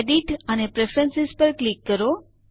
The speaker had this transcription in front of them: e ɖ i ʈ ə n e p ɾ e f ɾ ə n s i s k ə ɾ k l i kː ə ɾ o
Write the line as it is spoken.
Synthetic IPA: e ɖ i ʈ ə n e p ɾ e f ɾ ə n s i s p ə ɾ k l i kː ə ɾ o